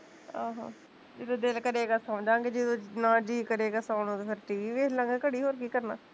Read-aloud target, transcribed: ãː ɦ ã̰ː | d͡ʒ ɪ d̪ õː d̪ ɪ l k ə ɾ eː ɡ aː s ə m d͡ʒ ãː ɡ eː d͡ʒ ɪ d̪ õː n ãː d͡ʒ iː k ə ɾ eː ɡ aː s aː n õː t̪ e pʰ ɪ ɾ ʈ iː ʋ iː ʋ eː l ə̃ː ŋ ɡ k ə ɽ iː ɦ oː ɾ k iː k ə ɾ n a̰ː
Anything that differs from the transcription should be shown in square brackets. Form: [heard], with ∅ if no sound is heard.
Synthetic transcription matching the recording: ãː ɦ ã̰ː | d͡ʒ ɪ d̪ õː d̪ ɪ l k ə ɾ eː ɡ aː s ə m d͡ʒ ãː ɡ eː d͡ʒ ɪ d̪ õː n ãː d͡ʒ iː k ə ɾ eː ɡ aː s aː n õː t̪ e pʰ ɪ ɾ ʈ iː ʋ iː ʋ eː l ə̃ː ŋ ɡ k ə ɽ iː ɦ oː ɾ k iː k ə ɾ n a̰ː